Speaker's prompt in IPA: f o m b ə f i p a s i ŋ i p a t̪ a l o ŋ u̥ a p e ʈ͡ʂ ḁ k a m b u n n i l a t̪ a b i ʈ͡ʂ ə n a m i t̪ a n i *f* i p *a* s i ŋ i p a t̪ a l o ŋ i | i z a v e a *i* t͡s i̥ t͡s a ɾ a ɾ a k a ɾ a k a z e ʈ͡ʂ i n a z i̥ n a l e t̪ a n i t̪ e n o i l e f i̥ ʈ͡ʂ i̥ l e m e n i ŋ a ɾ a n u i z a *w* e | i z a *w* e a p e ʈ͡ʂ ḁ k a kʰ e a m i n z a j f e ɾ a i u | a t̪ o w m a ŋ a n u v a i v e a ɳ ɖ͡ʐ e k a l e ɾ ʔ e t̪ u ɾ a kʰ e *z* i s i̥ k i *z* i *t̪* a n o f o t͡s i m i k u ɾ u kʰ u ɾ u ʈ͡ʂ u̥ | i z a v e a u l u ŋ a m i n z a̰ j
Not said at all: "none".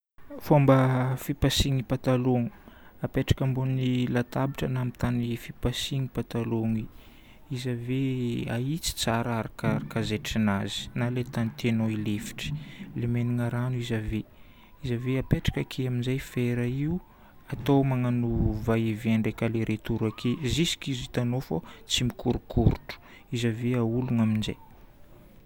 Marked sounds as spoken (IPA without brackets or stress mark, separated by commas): f, a, i, v, v, z, z, t̪